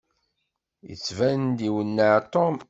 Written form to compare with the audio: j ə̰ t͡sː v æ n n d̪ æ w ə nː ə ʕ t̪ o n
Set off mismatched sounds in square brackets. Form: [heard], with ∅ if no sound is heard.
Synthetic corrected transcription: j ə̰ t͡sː v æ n n d̪ [i] w ə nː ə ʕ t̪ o [m]